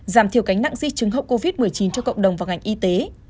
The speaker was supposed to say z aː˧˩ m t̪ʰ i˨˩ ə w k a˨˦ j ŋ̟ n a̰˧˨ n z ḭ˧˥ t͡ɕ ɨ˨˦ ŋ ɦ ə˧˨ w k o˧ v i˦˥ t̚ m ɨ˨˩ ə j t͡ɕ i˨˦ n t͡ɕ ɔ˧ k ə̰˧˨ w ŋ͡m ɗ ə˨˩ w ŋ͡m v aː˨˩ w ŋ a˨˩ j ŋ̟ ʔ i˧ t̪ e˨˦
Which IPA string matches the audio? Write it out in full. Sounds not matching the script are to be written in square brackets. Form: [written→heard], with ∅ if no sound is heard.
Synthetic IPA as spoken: z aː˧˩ m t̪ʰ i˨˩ ə w k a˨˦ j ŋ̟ n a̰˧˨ [n→ŋ] z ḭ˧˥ t͡ɕ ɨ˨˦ ŋ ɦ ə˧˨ w k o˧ v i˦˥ t̚ m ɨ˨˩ ə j t͡ɕ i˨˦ n t͡ɕ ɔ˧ k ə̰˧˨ w ŋ͡m ɗ ə˨˩ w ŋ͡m v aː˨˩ w ŋ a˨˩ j ŋ̟ ʔ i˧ t̪ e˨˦